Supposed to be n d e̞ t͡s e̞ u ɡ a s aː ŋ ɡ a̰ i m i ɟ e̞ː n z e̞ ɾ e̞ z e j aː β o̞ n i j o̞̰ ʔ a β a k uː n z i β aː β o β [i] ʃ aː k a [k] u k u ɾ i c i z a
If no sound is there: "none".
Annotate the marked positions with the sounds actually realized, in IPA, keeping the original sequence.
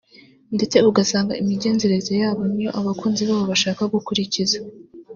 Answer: a, ɡ

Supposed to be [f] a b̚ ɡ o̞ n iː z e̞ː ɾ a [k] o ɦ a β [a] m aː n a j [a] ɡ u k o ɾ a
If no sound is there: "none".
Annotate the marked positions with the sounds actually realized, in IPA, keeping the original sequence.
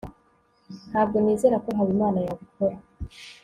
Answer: h, k, i, a

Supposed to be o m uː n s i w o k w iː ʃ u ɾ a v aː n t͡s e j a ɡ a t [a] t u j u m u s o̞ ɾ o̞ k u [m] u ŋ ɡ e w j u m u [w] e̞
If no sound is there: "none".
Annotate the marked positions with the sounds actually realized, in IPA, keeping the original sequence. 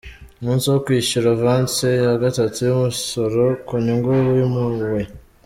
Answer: a, ɲ, w

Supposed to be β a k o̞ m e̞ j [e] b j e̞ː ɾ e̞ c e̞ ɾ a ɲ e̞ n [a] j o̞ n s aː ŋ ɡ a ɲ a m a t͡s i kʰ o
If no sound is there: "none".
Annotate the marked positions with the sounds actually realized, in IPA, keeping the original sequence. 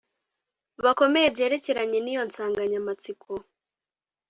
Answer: e, i

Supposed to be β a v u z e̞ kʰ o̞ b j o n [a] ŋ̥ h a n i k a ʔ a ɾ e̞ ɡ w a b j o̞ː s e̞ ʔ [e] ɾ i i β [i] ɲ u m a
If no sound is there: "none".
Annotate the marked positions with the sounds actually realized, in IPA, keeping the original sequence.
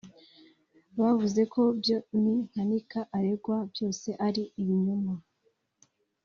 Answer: i, a, i

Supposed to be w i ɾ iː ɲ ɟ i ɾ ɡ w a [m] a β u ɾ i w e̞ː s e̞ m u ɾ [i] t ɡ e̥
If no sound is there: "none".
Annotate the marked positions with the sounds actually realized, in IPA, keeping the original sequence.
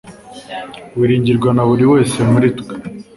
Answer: n, i

